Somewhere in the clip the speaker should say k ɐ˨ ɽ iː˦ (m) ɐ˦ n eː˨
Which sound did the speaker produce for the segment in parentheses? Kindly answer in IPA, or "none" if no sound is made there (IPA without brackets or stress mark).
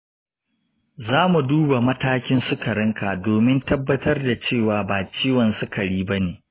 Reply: b